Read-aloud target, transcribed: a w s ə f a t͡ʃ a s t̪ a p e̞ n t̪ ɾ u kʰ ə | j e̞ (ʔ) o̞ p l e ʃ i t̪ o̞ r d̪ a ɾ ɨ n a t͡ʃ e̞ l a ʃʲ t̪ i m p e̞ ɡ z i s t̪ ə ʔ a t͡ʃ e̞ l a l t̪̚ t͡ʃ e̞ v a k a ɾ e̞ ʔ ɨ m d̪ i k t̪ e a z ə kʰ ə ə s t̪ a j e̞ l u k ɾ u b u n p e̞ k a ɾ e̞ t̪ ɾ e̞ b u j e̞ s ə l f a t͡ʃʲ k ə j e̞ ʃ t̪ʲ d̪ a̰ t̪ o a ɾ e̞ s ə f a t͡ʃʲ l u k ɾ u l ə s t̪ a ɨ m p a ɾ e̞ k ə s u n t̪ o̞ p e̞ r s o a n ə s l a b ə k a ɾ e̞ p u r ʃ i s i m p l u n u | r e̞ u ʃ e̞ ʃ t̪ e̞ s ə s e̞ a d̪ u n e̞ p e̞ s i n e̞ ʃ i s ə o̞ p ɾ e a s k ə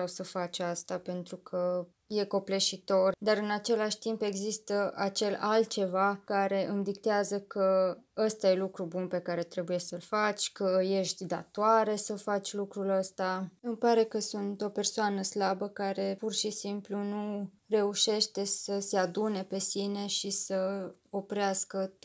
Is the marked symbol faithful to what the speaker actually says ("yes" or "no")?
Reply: no